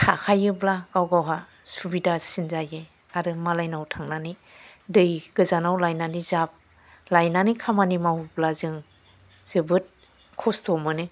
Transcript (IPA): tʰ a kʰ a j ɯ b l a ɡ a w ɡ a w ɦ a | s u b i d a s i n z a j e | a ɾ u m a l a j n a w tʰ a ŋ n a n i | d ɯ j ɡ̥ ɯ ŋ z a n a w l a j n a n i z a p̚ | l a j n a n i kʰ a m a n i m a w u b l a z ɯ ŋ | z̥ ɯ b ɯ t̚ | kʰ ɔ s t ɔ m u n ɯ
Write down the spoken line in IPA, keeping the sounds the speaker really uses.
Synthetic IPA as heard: tʰ a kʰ a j ɯ b l a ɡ a w ɡ a w ɦ a | s u b i d a s i n z a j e | a ɾ ɯ m a l a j n a w tʰ a ŋ n a n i | d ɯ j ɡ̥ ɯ z a n a w l a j n a n i z a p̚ | l a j n a n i kʰ a m a n i m a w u b l a z ɯ ŋ | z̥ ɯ b ɯ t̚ | kʰ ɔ s t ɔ m ɯ n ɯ